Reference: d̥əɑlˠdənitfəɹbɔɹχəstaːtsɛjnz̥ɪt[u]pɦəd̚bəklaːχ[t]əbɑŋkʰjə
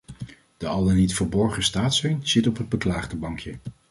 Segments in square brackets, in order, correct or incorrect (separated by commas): incorrect, incorrect